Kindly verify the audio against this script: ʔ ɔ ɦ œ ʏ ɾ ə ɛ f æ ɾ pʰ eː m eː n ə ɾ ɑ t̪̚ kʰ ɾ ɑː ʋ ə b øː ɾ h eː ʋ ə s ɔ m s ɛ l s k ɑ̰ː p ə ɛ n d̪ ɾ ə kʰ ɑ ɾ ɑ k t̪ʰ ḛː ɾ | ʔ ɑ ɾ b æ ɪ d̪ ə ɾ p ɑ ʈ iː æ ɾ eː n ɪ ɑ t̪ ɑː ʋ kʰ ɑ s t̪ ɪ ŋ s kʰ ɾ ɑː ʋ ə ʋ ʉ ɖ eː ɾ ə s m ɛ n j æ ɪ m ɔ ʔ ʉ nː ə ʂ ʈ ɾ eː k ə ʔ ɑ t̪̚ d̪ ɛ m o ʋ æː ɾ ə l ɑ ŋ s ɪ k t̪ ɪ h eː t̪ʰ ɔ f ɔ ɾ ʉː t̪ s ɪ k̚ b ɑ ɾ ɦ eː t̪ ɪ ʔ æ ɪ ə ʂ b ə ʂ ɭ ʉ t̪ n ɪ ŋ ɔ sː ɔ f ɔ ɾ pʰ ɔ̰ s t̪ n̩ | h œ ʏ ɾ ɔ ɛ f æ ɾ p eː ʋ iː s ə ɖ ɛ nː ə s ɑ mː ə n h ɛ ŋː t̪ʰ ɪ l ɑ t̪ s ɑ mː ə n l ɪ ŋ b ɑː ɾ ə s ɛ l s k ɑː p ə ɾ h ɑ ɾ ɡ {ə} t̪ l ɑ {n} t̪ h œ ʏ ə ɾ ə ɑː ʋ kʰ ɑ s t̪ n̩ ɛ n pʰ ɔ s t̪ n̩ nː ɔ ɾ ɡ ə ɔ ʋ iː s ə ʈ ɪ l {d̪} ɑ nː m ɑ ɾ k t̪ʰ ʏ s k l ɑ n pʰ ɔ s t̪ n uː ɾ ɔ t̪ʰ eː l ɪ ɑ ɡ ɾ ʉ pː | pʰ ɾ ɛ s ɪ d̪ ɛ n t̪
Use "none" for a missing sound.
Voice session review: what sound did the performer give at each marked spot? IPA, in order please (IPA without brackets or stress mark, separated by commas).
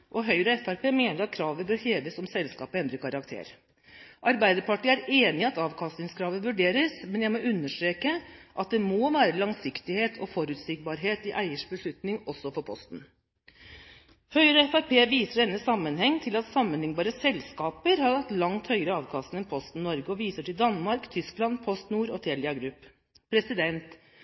ɑ, ŋ, d̪